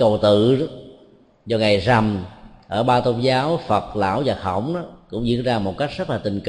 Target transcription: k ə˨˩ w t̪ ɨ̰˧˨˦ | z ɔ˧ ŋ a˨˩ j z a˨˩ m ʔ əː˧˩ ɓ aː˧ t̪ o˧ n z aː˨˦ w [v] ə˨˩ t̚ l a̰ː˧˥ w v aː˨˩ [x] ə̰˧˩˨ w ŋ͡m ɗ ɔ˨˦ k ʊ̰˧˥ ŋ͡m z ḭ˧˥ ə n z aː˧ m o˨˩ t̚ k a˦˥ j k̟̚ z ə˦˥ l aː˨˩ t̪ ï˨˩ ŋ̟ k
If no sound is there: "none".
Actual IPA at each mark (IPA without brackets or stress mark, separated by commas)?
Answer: f, x